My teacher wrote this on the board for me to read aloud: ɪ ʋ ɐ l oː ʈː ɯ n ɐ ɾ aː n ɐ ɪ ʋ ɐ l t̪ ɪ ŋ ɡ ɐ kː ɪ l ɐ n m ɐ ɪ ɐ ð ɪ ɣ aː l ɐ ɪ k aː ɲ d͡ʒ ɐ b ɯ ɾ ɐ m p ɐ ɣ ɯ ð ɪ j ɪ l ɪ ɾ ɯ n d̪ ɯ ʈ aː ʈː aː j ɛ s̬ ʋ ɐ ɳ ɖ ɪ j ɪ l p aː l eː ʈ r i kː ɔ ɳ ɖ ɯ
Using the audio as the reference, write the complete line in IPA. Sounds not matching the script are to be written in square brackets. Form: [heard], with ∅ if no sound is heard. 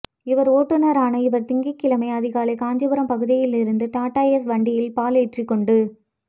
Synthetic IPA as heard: ɪ ʋ ɐ [ɾ] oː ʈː ɯ n ɐ ɾ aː n ɐ ɪ ʋ ɐ [ɾ] t̪ ɪ ŋ ɡ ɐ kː ɪ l ɐ [∅] m ɐ ɪ ɐ ð ɪ ɣ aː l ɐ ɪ k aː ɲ d͡ʒ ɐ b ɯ ɾ ɐ m p ɐ ɣ ɯ ð ɪ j ɪ l ɪ ɾ ɯ n d̪ ɯ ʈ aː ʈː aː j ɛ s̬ ʋ ɐ ɳ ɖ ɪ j ɪ l p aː l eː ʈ r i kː ɔ ɳ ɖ ɯ

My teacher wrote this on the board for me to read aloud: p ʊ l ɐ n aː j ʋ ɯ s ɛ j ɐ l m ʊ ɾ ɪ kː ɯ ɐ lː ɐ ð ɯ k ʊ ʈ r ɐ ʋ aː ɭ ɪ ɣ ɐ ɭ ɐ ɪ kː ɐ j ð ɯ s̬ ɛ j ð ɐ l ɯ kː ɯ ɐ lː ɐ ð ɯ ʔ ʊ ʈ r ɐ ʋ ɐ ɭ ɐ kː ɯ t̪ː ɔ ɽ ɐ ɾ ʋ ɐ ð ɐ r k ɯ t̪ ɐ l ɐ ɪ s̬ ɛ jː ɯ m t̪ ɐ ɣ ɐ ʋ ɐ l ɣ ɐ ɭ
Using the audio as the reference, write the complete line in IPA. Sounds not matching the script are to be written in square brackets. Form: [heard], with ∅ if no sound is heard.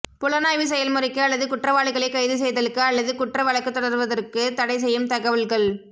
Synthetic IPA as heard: p ʊ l ɐ n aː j ʋ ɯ s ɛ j ɐ l m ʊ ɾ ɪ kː ɯ ɐ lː ɐ ð ɯ k ʊ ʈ r ɐ ʋ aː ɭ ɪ ɣ ɐ ɭ ɐ ɪ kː ɐ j ð ɯ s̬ ɛ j ð ɐ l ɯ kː ɯ ɐ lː ɐ ð ɯ [k] ʊ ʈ r ɐ ʋ ɐ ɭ ɐ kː ɯ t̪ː ɔ ɽ ɐ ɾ ʋ ɐ ð ɐ r k ɯ t̪ ɐ [ɽ] ɐ ɪ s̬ ɛ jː ɯ m t̪ ɐ ɣ ɐ ʋ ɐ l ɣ ɐ ɭ

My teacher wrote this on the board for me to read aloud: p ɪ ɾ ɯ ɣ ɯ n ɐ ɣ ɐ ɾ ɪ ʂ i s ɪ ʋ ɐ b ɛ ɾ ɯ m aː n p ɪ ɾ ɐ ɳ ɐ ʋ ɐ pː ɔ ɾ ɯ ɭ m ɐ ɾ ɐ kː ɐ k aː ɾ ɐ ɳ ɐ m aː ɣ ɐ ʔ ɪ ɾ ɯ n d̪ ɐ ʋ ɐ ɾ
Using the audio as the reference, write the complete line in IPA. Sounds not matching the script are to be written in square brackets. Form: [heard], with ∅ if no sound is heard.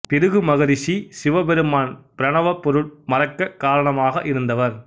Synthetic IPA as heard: p ɪ ɾ ɯ ɣ ɯ [m] ɐ ɣ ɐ ɾ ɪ ʂ i s ɪ ʋ ɐ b ɛ ɾ ɯ m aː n p ɪ ɾ ɐ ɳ ɐ ʋ ɐ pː ɔ ɾ ɯ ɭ m ɐ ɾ ɐ kː ɐ k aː ɾ ɐ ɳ ɐ m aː ɣ ɐ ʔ ɪ ɾ ɯ n d̪ ɐ ʋ ɐ ɾ

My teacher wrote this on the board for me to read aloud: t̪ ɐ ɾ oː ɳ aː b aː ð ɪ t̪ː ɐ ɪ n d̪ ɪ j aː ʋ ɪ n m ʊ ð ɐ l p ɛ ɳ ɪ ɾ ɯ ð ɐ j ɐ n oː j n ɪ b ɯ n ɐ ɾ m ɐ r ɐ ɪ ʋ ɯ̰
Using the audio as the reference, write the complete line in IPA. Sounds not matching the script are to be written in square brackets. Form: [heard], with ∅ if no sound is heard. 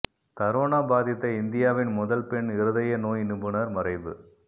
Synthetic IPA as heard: t̪ ɐ ɾ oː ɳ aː b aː ð ɪ t̪ː ɐ ɪ n d̪ ɪ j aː ʋ ɪ n m ʊ ð ɐ l p ɛ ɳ ɪ ɾ ɯ ð ɐ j ɐ n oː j n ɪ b ɯ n ɐ ɾ m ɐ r ɐ ɪ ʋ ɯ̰

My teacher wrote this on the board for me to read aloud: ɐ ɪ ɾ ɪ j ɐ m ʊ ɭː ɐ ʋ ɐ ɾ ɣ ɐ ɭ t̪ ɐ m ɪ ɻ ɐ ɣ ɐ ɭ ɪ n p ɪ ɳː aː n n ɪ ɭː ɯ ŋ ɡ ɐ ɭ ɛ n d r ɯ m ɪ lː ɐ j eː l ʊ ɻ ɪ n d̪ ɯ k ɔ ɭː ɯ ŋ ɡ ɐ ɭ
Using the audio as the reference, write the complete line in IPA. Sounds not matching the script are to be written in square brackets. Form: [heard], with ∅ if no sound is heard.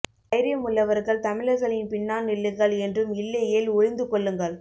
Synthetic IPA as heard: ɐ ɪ ɾ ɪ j ɐ m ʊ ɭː ɐ ʋ ɐ ɾ ɣ ɐ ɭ t̪ ɐ m ɪ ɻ ɐ ɣ ɐ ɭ ɪ n p ɪ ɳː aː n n ɪ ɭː ɯ ŋ ɡ ɐ ɭ ɛ n d r ɯ m ɪ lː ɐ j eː l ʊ ɻ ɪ n d̪ ɯ k ɔ ɭː ɯ ŋ ɡ ɐ ɭ

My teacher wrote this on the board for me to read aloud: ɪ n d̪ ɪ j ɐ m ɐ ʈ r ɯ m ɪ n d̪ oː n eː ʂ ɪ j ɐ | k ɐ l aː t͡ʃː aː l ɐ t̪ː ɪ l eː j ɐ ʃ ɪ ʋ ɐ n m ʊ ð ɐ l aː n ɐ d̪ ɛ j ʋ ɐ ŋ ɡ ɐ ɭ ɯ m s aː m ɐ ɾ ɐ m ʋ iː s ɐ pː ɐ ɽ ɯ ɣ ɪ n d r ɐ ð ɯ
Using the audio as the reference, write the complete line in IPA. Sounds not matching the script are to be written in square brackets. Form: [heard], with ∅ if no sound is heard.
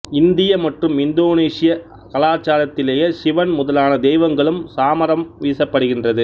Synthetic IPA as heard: ɪ n d̪ ɪ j ɐ m ɐ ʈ r ɯ m ɪ n d̪ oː n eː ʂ ɪ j ɐ | k ɐ l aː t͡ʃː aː l ɐ t̪ː ɪ l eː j ɐ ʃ ɪ ʋ ɐ n m ʊ ð ɐ l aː n ɐ d̪ ɛ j ʋ ɐ ŋ ɡ ɐ ɭ ɯ m s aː m ɐ ɾ ɐ m ʋ iː s ɐ pː ɐ ɽ ɯ ɣ ɪ n d r ɐ ð ɯ

